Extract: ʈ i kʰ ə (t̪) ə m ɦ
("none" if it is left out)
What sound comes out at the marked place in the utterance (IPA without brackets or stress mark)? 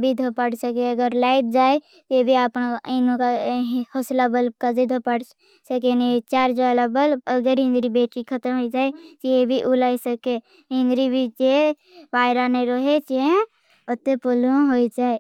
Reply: t̪